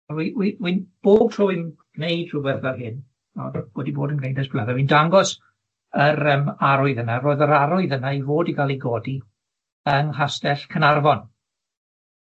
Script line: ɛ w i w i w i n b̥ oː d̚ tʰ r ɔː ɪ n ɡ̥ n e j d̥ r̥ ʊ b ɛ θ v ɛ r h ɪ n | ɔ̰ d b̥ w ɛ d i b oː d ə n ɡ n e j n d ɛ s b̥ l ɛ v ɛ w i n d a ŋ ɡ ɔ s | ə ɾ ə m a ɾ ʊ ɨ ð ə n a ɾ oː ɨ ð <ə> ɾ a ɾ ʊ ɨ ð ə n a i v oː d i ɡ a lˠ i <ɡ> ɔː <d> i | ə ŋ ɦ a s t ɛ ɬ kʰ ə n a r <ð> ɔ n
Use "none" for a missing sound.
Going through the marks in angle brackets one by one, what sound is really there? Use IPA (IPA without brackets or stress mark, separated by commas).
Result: ə, ɡ, d, v